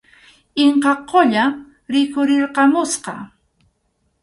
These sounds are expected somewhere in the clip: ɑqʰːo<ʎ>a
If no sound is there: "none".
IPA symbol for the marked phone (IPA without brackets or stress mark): ʎ